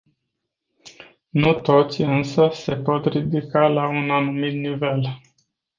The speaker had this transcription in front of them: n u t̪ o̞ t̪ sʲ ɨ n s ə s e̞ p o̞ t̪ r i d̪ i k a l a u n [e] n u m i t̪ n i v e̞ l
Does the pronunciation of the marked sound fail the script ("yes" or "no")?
yes